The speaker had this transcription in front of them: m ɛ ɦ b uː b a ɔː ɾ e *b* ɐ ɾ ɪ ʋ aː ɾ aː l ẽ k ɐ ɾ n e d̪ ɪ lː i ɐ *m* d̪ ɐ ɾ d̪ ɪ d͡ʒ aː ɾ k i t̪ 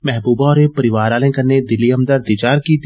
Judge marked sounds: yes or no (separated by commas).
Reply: no, yes